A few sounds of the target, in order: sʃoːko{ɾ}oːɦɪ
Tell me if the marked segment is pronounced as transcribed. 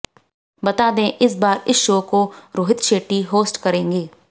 yes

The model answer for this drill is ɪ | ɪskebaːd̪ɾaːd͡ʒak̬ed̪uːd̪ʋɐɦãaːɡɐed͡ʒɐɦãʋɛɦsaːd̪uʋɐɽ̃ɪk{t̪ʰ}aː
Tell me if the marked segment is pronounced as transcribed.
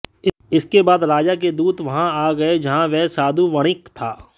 yes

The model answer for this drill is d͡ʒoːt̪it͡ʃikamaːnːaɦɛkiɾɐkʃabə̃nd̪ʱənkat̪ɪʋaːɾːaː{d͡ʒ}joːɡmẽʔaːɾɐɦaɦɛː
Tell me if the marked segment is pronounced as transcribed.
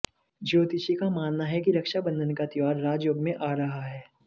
yes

